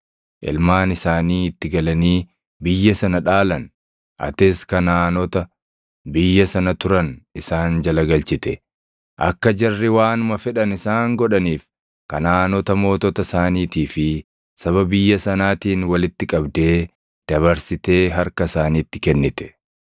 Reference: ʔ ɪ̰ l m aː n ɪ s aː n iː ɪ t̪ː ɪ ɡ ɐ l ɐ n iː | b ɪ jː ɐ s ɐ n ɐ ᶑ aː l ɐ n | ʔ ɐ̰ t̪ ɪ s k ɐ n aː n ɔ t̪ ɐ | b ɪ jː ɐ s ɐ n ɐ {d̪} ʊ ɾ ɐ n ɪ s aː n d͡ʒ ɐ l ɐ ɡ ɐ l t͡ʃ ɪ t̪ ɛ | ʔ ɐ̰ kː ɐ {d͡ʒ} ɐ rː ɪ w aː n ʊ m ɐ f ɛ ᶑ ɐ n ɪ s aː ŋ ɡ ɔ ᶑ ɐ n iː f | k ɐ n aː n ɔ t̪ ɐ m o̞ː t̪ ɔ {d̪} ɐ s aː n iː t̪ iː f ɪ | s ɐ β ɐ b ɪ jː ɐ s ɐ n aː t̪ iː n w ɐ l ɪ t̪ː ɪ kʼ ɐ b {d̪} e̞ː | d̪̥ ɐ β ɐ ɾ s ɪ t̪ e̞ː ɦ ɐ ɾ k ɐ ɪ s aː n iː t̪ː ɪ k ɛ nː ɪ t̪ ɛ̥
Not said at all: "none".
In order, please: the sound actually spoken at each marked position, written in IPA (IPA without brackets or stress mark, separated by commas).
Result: t̪, d͡ʒ, t̪, d̪